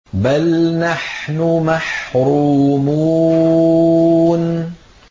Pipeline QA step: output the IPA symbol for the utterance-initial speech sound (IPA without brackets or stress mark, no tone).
b